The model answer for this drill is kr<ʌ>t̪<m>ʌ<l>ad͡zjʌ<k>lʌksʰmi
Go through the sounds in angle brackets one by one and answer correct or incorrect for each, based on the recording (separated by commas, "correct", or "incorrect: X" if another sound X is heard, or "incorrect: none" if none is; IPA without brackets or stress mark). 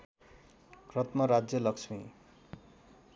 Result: correct, correct, incorrect: ɾ, incorrect: none